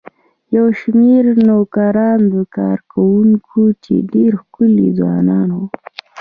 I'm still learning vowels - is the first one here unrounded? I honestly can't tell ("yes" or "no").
yes